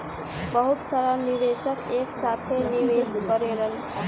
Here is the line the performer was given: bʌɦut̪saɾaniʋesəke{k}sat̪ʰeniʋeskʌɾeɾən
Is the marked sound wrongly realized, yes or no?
no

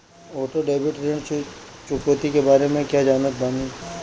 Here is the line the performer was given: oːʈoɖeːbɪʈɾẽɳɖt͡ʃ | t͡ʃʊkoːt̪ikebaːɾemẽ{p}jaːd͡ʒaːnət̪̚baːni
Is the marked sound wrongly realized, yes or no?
yes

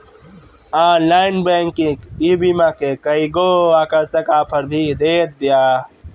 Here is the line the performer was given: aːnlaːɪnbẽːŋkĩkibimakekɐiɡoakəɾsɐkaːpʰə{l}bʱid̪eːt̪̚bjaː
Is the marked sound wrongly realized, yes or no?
yes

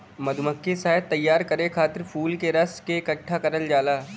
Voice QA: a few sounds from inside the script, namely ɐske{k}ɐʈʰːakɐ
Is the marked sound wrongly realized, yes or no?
no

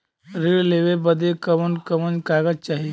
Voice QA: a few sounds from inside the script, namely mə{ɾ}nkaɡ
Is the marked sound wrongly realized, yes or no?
yes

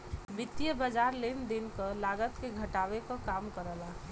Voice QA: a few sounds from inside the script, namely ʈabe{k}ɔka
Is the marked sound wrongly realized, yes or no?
no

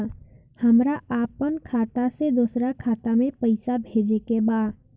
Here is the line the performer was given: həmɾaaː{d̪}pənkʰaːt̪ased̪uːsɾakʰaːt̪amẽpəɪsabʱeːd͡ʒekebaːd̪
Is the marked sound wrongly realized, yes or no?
yes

